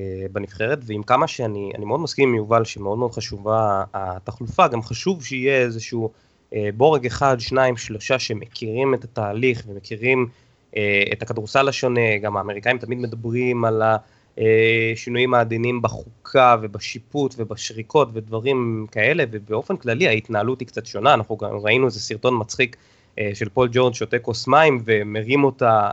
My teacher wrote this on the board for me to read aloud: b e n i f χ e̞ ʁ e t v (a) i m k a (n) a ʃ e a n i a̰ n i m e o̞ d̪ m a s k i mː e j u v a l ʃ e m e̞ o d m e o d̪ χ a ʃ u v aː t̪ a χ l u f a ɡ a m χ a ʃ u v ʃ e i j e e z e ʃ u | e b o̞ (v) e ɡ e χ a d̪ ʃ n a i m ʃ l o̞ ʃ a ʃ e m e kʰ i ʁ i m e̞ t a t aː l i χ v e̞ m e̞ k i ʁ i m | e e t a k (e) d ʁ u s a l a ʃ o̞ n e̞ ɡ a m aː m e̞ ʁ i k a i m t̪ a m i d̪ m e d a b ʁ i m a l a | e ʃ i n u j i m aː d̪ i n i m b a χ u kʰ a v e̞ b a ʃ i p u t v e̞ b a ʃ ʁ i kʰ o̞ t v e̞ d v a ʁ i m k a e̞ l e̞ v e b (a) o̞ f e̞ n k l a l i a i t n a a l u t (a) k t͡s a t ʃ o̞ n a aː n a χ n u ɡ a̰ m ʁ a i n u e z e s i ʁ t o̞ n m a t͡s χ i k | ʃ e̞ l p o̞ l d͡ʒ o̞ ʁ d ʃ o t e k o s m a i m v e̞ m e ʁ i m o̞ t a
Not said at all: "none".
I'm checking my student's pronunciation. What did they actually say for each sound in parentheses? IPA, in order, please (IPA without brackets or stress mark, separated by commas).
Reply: e, m, ʁ, a, e, i